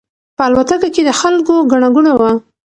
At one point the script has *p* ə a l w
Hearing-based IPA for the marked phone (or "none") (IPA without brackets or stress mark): p